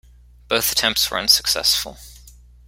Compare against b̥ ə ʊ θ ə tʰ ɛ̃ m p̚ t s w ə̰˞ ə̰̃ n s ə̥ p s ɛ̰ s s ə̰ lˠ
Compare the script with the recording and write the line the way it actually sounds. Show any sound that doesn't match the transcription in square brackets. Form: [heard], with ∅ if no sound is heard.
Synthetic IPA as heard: b̥ ə ʊ θ ə tʰ ɛ̃ m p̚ t s w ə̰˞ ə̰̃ n s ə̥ [k] s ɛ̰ s [f] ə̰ lˠ